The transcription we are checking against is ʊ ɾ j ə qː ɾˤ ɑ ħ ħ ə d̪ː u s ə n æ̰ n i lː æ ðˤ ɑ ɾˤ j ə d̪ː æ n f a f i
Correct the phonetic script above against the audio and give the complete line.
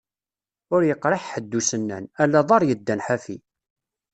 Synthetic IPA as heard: ʊ ɾ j ə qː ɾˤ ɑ ħ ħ ə d̪ː u s ə nː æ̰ n æ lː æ ðˤ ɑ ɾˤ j ə d̪ː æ n ħ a f i